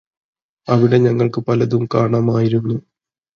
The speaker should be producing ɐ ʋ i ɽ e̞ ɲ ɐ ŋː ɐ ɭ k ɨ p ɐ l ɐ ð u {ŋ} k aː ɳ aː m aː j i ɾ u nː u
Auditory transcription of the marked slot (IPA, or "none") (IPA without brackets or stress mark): m